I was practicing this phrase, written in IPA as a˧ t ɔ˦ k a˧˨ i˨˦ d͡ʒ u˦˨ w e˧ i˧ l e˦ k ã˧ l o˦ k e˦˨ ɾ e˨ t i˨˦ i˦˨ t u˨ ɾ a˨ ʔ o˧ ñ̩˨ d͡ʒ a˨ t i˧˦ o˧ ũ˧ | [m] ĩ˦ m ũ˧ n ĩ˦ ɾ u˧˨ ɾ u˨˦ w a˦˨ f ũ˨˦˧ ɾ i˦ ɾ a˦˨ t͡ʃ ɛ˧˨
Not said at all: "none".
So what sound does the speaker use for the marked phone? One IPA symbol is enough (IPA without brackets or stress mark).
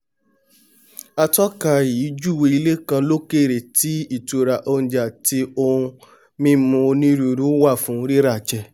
m